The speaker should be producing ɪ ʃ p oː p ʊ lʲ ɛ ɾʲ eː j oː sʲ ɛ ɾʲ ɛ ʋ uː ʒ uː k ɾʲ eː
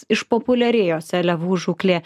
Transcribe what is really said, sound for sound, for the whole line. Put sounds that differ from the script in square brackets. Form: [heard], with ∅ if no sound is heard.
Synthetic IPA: ɪ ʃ p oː p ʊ lʲ ɛ ɾʲ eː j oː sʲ ɛ [lʲ] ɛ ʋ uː ʒ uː k [lʲ] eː